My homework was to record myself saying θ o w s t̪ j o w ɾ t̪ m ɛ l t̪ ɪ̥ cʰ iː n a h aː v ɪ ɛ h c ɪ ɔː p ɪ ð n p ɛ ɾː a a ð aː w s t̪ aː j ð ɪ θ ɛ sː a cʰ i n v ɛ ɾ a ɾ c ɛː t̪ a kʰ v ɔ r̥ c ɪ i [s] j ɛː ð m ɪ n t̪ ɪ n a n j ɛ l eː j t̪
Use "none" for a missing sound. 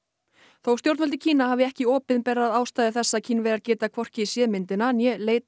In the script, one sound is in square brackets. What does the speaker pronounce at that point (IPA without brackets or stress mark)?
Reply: s